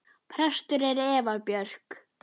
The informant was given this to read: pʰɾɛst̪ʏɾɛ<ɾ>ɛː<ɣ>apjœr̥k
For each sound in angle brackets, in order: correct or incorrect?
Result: correct, incorrect: v

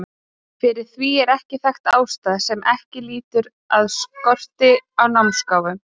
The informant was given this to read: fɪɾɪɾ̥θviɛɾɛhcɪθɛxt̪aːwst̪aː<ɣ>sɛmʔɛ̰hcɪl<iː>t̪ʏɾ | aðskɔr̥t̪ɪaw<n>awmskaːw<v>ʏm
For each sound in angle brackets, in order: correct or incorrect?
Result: incorrect: ð, correct, correct, correct

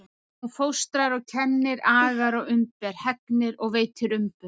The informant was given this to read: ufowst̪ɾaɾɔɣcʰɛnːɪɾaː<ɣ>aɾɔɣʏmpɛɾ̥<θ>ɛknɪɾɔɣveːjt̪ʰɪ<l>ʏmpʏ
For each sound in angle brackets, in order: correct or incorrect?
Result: correct, incorrect: h, incorrect: ɾ

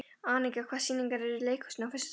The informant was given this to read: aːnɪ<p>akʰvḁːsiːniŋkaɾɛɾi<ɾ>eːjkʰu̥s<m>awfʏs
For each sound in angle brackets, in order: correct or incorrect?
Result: incorrect: k, incorrect: l, incorrect: n

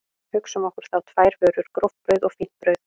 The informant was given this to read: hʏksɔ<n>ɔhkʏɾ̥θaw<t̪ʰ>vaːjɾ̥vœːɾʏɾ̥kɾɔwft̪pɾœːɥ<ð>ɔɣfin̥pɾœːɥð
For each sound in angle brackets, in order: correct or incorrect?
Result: incorrect: m, correct, correct

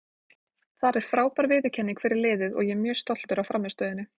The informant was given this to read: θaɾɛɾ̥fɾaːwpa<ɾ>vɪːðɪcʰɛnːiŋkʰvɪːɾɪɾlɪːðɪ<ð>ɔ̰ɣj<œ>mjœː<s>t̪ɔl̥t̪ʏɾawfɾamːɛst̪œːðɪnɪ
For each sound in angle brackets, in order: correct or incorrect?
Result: correct, correct, incorrect: ɛ, correct

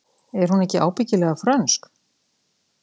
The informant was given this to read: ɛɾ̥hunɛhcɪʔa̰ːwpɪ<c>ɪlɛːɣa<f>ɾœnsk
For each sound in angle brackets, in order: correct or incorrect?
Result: correct, correct

